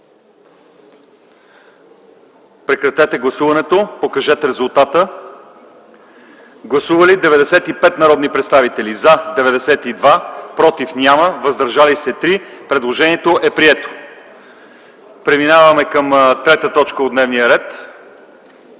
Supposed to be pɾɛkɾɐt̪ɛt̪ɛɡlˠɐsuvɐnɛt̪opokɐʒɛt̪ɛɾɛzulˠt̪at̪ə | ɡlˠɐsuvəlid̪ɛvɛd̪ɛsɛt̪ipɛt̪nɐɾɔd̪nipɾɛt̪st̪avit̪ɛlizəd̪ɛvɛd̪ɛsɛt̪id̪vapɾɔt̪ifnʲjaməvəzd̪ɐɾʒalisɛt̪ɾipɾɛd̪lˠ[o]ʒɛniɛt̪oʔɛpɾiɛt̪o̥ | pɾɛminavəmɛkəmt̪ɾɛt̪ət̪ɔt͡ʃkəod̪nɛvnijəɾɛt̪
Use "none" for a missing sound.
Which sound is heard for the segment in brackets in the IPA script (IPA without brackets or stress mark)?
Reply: o